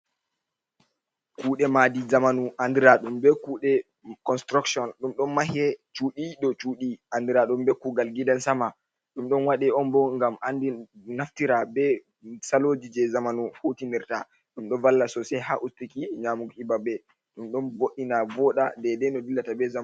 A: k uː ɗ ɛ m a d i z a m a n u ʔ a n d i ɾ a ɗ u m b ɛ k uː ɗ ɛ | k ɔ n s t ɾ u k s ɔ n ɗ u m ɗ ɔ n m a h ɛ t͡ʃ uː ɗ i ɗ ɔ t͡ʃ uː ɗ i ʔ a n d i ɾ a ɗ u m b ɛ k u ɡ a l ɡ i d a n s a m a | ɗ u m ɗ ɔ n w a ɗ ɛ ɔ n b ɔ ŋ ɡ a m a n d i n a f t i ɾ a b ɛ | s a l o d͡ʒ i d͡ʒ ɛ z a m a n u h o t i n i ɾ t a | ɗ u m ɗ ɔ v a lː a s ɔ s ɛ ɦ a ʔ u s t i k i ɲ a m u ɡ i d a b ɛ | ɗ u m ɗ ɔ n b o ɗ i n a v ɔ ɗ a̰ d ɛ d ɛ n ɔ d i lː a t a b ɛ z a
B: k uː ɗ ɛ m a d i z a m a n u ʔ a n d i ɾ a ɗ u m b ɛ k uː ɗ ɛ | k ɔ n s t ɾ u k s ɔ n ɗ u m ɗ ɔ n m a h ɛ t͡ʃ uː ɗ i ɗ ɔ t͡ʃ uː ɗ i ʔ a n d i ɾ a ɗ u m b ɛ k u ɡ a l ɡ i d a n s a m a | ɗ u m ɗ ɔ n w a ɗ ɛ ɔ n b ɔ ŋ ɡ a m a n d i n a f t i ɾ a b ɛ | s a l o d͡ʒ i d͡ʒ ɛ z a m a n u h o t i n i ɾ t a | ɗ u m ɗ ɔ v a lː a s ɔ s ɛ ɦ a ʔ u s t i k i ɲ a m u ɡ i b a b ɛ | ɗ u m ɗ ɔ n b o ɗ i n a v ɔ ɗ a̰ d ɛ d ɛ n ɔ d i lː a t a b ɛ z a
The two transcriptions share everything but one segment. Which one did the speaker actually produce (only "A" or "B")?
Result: B